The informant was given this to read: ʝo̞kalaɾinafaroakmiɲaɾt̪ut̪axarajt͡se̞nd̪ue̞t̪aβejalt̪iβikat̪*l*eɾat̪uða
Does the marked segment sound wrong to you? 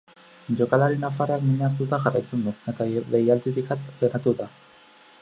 no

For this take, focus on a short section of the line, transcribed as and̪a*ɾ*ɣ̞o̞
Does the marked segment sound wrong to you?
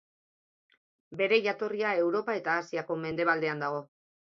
yes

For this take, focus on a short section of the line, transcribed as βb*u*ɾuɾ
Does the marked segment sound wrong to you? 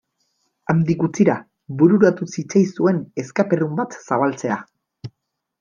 no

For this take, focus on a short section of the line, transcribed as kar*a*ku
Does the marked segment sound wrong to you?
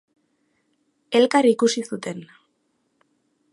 yes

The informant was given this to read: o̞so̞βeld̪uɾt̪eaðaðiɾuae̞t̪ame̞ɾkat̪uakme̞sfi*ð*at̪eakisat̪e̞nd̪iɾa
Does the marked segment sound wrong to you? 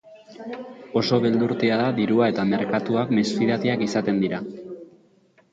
no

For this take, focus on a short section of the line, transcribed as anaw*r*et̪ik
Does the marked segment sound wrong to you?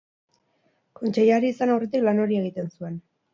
no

